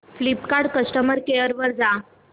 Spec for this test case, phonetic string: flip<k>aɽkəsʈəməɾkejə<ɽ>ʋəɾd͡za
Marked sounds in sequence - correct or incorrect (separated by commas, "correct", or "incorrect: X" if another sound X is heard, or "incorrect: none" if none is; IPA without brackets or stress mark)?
correct, incorrect: ɾ